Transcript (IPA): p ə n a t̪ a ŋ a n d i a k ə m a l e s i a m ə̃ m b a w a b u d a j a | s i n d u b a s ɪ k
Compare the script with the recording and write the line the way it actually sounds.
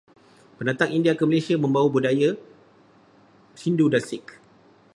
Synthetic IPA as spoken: p ə n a t̪ a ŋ i n d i a k ə m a l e s i a m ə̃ m b a w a b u d a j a | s i n d u d a s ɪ k